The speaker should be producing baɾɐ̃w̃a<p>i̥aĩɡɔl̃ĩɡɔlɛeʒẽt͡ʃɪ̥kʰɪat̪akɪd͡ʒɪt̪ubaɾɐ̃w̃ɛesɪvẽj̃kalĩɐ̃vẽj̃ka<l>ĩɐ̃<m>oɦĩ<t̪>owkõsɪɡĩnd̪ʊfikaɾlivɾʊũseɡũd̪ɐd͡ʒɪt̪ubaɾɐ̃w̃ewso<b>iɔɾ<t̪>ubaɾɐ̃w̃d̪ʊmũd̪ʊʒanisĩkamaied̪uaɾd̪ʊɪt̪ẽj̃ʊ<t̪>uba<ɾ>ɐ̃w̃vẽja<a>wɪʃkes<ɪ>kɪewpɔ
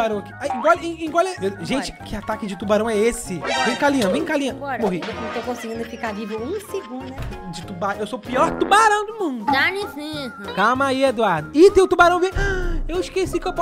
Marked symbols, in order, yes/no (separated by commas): no, yes, yes, yes, no, yes, yes, yes, no, no